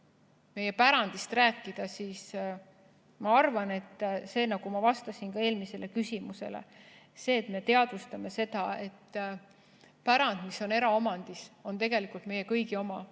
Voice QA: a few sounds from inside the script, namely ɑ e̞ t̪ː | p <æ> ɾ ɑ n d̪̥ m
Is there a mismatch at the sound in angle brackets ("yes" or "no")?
no